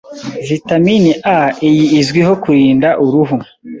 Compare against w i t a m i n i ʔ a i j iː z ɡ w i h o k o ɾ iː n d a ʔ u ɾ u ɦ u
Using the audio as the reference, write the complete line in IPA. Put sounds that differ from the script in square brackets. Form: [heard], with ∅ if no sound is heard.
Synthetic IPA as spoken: [v] i t a m i n i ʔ a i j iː z ɡ w i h o k [u] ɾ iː n d a ʔ u ɾ u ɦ u